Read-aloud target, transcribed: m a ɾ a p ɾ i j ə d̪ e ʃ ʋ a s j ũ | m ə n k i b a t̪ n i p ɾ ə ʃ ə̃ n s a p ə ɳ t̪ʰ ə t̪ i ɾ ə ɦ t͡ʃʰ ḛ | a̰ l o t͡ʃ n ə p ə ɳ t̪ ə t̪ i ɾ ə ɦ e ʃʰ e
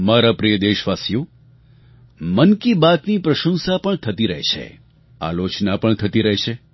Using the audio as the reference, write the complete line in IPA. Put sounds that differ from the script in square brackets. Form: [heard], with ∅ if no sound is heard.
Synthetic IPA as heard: m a ɾ a p ɾ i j ə d̪ e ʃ ʋ a s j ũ | m ə n k i b a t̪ n i p ɾ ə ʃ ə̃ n s a p ə ɳ t̪ʰ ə t̪ i ɾ ə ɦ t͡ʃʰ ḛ | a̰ l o t͡ʃ n [a] p ə ɳ [t̪ʰ] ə t̪ i ɾ ə ɦ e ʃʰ e